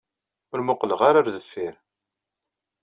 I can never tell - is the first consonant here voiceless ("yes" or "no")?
no